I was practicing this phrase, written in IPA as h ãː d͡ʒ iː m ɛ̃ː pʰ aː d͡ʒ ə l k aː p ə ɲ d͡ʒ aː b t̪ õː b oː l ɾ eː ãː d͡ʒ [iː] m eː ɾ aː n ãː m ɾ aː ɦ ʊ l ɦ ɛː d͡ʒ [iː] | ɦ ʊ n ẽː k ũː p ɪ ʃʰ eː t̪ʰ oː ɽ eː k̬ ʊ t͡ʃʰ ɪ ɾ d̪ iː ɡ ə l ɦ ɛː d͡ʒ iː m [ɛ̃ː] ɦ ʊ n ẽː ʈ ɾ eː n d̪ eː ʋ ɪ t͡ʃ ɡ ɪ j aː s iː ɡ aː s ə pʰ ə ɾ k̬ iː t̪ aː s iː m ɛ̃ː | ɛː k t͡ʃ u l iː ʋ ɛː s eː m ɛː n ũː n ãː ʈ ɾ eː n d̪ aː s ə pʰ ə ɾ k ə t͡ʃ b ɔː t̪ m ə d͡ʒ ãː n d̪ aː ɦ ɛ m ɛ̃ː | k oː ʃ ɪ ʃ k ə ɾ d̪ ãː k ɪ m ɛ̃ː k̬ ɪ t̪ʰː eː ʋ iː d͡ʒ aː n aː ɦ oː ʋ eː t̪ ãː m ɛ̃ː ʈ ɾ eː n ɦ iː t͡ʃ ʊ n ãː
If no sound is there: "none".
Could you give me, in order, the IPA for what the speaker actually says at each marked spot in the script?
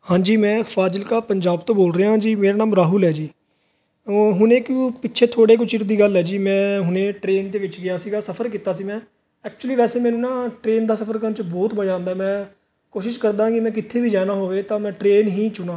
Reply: iː, iː, ɛ̃ː

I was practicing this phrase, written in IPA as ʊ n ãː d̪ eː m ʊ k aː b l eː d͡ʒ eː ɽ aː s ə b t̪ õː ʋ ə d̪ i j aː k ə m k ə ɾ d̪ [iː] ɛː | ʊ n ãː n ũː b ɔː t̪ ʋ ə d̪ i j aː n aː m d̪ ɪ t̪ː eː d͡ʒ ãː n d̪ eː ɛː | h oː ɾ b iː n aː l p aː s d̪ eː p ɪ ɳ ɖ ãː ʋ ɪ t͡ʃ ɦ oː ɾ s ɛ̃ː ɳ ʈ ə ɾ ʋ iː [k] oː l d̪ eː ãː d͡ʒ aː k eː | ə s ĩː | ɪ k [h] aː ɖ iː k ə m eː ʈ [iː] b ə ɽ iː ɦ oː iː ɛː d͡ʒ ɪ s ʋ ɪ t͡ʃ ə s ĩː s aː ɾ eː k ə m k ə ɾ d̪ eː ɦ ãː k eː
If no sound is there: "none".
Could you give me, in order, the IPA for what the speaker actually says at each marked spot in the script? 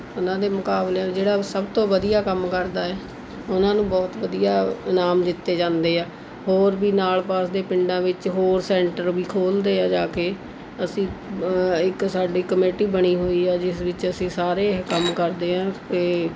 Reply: aː, kʰ, s, iː

